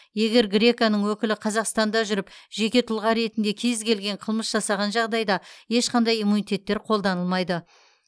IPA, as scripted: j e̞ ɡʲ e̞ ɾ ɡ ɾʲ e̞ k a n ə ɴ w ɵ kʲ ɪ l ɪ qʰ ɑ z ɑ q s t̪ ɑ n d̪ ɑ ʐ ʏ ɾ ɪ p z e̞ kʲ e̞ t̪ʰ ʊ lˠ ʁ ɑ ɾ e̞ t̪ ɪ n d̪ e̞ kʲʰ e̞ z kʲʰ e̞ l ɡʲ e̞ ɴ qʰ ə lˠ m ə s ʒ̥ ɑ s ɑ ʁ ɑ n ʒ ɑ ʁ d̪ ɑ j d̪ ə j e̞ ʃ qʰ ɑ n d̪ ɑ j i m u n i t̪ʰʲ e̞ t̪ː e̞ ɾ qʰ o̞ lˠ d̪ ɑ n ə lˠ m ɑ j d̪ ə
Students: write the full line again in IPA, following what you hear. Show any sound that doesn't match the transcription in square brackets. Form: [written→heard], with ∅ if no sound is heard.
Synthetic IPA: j e̞ ɡʲ e̞ ɾ ɡ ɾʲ e̞ k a n ə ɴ w ɵ kʲ ɪ l ɪ qʰ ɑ z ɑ q s t̪ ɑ n d̪ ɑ [ʐ→ʒ] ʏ ɾ ɪ p [z→ʒ] e̞ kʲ e̞ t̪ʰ ʊ lˠ ʁ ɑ ɾ e̞ t̪ ɪ n d̪ e̞ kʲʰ e̞ z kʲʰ e̞ l ɡʲ e̞ ɴ qʰ ə lˠ m ə s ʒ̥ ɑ s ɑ ʁ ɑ n ʒ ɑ ʁ d̪ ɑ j d̪ [ə→ɑ] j e̞ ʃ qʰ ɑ n d̪ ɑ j i m u n i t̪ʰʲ e̞ t̪ː e̞ ɾ qʰ o̞ lˠ d̪ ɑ n ə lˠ m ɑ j d̪ ə

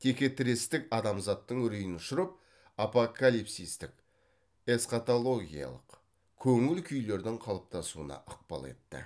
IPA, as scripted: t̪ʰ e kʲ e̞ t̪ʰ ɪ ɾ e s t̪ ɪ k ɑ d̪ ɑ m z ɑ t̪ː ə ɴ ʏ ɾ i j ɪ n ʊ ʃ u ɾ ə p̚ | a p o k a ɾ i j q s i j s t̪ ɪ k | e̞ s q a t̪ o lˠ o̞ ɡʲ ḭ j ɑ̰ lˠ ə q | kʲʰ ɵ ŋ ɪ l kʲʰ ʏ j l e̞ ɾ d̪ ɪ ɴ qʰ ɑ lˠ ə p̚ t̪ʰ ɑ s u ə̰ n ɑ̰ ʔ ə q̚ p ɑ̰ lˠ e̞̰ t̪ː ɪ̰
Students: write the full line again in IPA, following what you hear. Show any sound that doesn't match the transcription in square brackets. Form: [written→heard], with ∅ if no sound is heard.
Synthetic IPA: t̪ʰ e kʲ e̞ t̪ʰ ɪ ɾ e s t̪ ɪ k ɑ d̪ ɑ m z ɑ t̪ː ə ɴ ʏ ɾ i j ɪ n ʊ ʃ [u→ʊ] ɾ ə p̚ | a p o k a [ɾ→l] i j [q→p] s i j s t̪ ɪ k | e̞ s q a t̪ o lˠ o̞ ɡʲ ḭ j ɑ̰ lˠ ə q | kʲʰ ɵ ŋ ɪ l kʲʰ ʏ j l e̞ ɾ d̪ ɪ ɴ qʰ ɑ lˠ ə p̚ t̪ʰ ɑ s u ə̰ n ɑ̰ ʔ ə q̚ p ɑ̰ lˠ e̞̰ t̪ː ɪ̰

